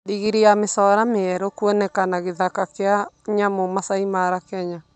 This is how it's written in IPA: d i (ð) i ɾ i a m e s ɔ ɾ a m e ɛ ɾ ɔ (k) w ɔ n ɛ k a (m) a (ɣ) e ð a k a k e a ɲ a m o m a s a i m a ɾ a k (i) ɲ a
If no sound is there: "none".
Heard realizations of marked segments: ɣ, k, n, ɣ, ɛ

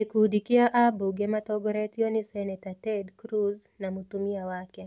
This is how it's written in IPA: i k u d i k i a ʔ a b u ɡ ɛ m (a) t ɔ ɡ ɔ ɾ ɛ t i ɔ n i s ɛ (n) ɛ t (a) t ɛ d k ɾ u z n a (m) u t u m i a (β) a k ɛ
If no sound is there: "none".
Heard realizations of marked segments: a, n, a, m, w

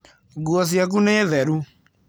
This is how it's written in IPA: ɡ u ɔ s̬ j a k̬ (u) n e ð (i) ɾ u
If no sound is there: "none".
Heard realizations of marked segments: u, ɛ

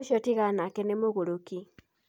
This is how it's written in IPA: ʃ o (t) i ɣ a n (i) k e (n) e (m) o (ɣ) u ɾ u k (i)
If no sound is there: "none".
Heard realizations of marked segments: t, a, n, m, ɣ, i

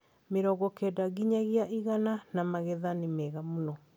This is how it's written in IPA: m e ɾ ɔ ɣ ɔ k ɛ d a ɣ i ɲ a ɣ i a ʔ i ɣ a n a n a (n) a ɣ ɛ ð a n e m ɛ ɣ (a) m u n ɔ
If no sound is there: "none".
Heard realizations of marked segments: m, a

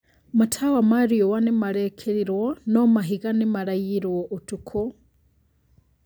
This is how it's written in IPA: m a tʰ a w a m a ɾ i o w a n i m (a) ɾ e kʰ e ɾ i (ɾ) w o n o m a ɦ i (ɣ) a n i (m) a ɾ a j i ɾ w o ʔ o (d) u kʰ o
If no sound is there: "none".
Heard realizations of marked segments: a, ɾ, ɣ, m, t

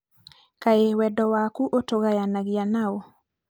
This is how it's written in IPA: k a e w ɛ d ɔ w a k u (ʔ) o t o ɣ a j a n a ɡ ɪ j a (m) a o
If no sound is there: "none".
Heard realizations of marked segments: ʔ, n

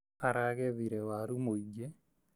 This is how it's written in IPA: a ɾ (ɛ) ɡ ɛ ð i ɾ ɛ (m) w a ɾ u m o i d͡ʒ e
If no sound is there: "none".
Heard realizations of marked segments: a, none

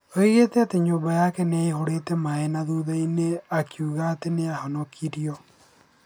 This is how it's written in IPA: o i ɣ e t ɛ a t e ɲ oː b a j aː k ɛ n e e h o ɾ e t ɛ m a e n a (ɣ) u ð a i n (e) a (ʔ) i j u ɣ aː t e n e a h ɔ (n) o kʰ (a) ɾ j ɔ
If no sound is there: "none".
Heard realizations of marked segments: ð, e, k, n, i

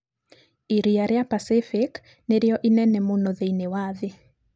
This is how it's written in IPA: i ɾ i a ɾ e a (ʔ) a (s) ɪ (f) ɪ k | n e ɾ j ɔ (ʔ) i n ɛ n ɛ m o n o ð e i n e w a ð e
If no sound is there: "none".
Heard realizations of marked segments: p, s, f, ʔ

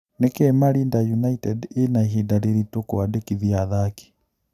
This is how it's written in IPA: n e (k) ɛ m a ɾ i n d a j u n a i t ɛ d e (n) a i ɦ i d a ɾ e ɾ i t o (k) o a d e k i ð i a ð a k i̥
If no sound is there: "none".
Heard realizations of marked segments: k, n, k

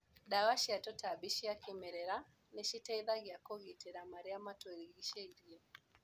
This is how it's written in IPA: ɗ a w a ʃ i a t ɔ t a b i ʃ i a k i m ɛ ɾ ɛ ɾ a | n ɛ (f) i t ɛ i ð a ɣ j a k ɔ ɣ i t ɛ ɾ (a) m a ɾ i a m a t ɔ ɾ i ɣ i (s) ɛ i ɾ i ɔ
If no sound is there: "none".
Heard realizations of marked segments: ʃ, a, ʃ

